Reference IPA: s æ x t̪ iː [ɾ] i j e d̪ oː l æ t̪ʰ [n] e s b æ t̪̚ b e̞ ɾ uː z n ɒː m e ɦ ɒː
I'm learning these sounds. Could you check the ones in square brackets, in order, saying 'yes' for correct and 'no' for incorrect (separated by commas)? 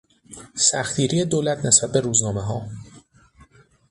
yes, yes